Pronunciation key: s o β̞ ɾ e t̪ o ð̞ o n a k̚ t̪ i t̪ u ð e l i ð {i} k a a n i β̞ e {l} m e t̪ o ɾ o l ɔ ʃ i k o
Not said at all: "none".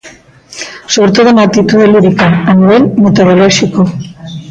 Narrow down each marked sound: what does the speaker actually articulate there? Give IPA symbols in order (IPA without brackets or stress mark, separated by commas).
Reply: i, l